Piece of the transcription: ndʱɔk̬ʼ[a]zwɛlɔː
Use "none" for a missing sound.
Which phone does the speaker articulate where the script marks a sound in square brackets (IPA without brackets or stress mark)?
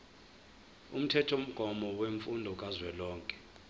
a